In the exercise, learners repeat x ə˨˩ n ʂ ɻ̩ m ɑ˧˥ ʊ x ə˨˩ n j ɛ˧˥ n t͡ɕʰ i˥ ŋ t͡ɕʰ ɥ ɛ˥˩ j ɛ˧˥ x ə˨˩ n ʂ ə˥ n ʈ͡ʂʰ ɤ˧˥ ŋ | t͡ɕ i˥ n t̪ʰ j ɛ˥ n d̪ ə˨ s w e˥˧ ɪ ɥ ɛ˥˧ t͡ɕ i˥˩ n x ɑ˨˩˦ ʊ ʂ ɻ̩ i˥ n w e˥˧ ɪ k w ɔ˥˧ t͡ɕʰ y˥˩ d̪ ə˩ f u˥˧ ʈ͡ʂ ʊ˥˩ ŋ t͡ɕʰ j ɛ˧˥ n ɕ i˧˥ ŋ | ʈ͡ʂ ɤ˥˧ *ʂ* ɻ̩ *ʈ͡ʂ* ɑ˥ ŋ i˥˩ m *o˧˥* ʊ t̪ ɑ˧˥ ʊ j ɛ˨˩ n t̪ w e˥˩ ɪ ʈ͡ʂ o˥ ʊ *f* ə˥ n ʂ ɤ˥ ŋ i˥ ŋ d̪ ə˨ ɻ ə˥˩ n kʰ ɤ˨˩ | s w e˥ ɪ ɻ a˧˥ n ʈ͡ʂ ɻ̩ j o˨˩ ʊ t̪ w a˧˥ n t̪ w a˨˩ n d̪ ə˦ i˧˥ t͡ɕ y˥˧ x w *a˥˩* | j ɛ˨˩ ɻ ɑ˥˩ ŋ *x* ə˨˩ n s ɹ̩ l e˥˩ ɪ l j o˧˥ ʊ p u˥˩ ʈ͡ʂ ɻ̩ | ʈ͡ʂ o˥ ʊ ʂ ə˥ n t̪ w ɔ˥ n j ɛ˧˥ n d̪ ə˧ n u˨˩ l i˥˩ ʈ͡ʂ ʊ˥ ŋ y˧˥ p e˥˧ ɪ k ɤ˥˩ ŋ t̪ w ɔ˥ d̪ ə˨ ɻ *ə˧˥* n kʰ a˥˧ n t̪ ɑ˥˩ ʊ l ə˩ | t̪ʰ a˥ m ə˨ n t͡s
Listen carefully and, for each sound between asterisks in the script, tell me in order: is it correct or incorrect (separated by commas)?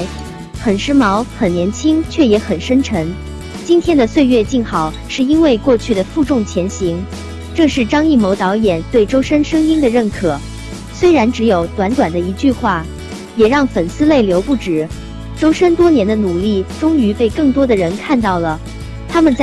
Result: correct, correct, correct, incorrect, correct, incorrect, correct